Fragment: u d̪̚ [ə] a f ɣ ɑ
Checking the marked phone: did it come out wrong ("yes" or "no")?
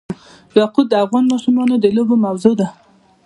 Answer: no